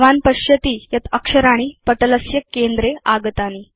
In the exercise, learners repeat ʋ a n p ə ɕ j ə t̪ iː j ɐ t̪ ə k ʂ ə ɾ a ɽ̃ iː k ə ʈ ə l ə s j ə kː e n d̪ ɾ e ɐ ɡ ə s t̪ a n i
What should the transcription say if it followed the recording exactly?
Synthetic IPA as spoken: ʋ a n p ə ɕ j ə t̪ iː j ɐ t̪ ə k ʂ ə ɾ a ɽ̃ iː p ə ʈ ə l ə s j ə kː e n d̪ ɾ e a ɡ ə t̪ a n i